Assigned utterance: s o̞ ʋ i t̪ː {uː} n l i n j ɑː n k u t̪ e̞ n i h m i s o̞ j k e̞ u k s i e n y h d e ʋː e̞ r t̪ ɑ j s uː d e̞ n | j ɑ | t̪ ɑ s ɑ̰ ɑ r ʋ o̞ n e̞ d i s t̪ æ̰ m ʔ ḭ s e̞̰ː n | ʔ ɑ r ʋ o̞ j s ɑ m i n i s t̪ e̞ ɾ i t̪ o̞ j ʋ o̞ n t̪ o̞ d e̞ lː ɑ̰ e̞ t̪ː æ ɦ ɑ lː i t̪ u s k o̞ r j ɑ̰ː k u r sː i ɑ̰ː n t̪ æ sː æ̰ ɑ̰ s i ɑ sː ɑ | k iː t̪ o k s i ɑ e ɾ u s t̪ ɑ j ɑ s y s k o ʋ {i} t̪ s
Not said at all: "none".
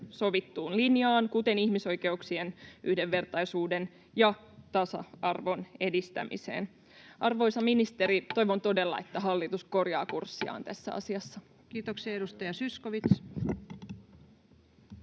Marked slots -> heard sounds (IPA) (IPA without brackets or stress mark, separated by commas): uː, i